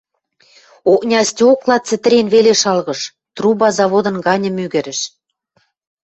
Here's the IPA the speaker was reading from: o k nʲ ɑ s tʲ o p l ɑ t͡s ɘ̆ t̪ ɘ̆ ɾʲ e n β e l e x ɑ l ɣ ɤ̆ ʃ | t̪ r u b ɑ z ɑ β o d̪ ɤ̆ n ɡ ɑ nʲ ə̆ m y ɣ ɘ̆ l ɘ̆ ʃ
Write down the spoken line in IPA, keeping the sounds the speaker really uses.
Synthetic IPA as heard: o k nʲ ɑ s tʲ o k l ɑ t͡s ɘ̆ t̪ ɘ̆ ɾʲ e n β e l e ʃ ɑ l ɣ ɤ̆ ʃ | t̪ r u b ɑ z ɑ β o d̪ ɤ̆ n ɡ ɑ nʲ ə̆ m y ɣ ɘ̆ ɾ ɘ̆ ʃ